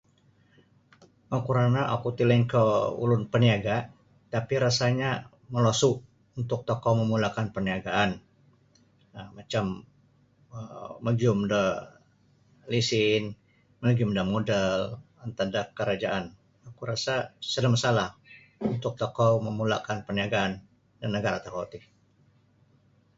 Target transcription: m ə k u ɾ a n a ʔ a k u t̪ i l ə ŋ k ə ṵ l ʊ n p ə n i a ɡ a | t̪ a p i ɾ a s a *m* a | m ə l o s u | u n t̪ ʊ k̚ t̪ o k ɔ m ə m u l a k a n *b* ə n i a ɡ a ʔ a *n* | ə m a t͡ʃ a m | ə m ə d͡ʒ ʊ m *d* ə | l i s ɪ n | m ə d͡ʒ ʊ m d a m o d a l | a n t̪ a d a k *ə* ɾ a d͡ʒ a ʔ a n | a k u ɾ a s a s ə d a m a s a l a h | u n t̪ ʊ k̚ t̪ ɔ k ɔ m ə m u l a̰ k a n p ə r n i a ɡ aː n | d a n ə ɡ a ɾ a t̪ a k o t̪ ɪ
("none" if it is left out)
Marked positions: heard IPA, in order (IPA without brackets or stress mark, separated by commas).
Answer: ɲ, p, n, d, ə